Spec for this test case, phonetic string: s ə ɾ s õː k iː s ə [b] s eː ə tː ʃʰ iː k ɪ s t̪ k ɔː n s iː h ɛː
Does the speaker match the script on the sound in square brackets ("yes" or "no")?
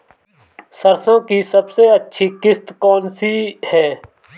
yes